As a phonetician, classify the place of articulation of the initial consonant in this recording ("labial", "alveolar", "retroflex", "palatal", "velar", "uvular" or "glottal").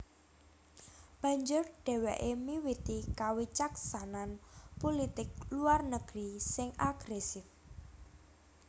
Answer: labial